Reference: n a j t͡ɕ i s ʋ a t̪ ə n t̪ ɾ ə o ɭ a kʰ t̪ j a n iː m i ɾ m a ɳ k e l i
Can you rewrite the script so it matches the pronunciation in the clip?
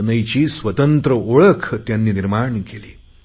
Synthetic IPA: n ə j t͡ɕ iː s ʋ ə t̪ ə n t̪ ɾ ə o ɭ ə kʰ t̪ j a nː iː n i ɾ m a ɳ k e l iː